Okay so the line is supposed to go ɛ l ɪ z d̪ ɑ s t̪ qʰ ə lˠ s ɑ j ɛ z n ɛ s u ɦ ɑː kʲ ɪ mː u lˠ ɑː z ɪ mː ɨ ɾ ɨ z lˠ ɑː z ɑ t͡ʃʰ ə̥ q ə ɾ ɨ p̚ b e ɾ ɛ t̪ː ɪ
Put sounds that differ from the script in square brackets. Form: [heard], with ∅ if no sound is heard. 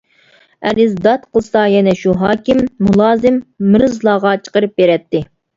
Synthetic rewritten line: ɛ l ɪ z d̪ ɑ [∅] t̪ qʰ ə lˠ s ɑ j ɛ [∅] n ɛ [ʃ] u ɦ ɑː kʲ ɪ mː u lˠ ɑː z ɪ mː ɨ ɾ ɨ z lˠ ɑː [ʁ] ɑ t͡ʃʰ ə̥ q ə ɾ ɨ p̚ b e ɾ ɛ t̪ː ɪ